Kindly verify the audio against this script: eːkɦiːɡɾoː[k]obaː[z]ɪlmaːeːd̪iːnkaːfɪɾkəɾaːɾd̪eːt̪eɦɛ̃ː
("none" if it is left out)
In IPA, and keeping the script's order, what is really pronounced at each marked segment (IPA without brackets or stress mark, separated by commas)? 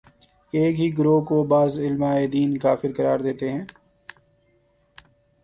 k, z